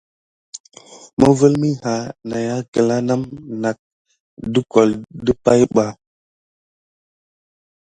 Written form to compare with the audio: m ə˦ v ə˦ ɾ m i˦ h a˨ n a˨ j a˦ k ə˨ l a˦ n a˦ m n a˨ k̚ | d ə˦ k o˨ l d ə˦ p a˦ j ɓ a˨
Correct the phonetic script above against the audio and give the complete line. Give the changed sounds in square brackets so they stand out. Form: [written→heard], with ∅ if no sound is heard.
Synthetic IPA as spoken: m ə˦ v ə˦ [ɾ→l] m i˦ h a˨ n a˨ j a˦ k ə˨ l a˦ n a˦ m n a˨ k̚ | d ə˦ k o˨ l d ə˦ p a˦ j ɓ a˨

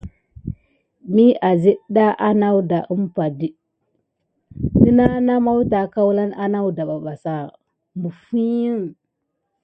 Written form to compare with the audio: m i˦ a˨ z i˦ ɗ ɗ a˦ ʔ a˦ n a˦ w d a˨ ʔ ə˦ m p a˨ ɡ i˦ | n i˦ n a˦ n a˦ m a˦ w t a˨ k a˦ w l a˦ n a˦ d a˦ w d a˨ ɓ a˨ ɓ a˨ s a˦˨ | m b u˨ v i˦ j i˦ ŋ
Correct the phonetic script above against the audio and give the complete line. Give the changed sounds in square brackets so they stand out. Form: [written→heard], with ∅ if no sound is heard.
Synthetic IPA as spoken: m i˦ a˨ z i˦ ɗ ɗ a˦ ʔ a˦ n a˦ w d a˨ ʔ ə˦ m p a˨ [ɡ→d] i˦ | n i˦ n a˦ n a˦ m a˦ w t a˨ k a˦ w l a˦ n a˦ [d→n] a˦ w d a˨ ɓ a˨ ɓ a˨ s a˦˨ | m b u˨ [v→f] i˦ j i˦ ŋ

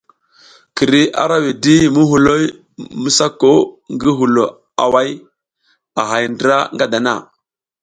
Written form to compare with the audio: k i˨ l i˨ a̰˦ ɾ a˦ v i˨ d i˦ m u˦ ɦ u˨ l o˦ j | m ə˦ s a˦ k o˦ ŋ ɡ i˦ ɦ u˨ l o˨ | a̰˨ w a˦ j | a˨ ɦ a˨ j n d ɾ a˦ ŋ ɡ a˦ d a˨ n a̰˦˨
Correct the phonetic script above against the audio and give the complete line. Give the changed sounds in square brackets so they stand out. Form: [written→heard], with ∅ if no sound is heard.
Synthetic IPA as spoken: k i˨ [l→ɾ] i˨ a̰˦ ɾ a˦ [v→w] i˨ d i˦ m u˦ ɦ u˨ l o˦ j | m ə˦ s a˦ k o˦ ŋ ɡ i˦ ɦ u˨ l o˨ | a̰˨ w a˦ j | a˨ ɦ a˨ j n d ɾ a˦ ŋ ɡ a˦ d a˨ n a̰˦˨

